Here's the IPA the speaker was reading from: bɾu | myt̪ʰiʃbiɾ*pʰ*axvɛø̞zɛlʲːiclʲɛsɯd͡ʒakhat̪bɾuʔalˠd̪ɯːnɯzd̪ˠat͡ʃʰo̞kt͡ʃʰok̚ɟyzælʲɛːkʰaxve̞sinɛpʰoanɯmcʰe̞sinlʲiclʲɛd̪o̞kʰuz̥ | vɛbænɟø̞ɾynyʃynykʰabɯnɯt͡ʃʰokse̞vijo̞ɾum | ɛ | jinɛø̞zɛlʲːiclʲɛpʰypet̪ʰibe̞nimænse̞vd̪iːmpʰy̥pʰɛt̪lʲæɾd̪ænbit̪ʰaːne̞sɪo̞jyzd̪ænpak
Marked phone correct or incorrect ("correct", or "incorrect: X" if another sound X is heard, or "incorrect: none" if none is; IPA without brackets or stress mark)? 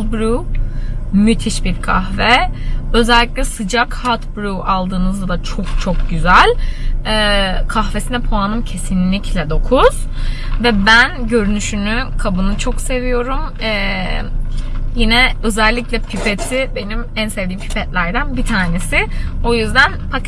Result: incorrect: kʰ